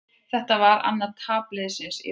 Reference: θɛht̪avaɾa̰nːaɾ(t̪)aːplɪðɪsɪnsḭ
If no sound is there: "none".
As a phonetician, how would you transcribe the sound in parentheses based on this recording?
t̪ʰ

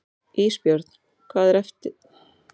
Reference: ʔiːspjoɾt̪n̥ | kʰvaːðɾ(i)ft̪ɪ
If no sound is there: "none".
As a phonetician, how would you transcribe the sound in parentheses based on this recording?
ɛ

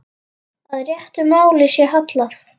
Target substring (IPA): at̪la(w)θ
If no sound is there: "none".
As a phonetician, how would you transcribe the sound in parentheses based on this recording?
none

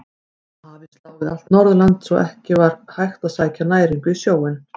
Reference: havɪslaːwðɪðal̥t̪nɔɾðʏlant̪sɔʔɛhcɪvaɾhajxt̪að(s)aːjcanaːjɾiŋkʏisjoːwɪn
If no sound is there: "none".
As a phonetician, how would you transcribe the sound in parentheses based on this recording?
s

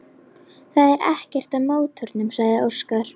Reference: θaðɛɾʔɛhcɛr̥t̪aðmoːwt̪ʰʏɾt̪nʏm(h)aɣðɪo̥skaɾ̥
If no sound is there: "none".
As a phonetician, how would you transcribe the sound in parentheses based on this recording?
s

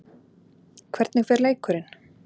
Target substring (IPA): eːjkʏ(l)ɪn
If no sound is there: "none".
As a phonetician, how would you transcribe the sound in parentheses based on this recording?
ɾ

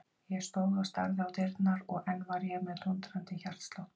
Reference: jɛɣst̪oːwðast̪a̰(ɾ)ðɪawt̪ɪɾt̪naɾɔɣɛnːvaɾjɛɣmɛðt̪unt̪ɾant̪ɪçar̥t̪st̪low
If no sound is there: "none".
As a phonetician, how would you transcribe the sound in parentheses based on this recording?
ɾ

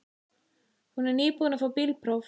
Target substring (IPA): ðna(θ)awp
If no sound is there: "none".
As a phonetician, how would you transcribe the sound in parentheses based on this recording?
f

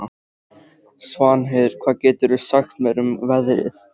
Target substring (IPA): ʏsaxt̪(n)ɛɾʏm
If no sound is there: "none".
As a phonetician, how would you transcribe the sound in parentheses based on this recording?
m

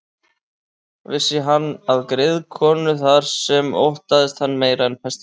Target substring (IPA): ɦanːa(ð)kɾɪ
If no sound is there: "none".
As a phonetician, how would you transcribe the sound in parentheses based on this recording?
ð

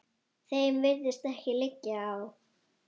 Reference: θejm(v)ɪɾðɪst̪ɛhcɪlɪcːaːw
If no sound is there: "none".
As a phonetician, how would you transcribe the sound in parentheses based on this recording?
v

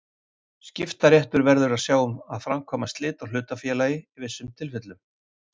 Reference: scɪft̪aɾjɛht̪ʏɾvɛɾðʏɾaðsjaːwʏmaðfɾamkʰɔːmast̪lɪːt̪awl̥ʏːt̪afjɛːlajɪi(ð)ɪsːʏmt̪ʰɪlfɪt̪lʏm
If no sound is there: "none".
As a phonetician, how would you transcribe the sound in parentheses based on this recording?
v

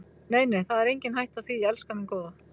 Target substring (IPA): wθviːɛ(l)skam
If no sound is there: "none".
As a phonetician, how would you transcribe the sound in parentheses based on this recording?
l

